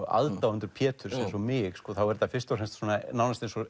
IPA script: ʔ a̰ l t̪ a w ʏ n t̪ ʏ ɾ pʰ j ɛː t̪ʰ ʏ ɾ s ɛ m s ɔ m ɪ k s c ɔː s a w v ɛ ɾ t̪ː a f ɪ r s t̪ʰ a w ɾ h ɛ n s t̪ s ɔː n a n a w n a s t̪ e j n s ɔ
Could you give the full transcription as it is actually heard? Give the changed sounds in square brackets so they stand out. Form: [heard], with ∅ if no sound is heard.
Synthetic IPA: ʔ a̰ l t̪ a w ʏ n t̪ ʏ ɾ pʰ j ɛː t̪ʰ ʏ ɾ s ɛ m s ɔ m ɪ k s [k] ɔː [θ] a w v ɛ ɾ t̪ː a f ɪ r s [t̪] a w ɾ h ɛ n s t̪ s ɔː n a n a w n a s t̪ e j n s ɔ